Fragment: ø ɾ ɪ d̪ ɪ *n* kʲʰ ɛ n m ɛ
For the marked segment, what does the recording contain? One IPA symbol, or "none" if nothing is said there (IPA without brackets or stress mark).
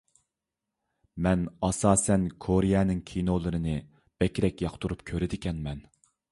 none